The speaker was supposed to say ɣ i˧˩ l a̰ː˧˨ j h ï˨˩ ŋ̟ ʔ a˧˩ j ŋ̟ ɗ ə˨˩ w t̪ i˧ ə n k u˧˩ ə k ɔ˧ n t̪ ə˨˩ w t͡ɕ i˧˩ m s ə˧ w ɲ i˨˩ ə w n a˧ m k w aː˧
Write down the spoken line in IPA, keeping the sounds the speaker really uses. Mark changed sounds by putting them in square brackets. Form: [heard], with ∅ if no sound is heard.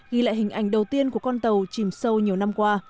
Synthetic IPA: ɣ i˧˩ l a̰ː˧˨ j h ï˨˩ ŋ̟ ʔ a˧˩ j ŋ̟ ɗ ə˨˩ w t̪ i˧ ə n k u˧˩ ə k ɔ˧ n t̪ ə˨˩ w t͡ɕ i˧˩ m s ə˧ w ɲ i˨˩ ə w n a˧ m k w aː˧